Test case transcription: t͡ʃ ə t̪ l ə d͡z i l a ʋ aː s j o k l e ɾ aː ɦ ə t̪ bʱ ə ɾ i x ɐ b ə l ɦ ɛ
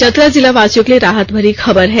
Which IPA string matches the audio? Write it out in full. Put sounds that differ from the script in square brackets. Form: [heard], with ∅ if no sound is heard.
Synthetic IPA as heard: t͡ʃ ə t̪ [ɾ] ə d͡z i l a ʋ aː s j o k l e ɾ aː ɦ ə t̪ bʱ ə ɾ i x ɐ b ə [ɾ] ɦ ɛ